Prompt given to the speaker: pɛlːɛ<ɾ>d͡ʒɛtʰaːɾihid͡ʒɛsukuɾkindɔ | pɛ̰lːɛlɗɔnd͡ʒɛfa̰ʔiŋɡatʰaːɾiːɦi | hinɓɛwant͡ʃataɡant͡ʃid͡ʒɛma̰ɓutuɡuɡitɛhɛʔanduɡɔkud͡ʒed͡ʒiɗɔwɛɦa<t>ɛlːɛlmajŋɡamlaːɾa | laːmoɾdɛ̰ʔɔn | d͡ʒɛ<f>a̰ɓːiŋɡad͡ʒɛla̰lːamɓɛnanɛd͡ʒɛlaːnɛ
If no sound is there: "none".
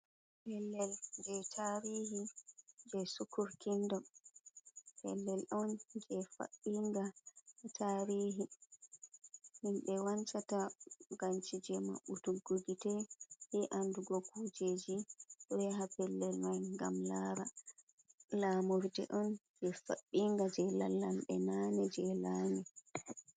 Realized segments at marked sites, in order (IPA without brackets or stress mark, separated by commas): l, p, f